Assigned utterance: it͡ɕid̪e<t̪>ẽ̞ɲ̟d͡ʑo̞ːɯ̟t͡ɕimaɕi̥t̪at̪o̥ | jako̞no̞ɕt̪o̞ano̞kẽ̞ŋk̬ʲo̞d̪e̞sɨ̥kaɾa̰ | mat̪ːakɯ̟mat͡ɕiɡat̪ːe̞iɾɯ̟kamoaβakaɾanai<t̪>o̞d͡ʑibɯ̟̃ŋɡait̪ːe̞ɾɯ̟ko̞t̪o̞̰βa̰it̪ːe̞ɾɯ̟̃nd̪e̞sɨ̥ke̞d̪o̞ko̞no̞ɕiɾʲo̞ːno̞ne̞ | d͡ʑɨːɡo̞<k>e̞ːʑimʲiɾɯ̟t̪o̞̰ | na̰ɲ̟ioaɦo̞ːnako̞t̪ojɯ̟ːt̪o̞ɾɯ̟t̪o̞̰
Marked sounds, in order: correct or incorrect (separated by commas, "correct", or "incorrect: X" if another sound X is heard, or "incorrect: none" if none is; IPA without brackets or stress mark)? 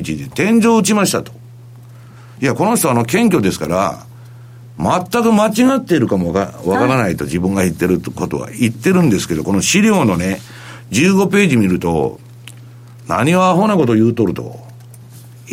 correct, correct, incorrect: p